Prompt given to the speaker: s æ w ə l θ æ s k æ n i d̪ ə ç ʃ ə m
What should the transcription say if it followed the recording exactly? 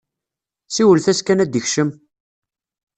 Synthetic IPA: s i w ə l θ æ s k æ n æ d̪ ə ç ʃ ə m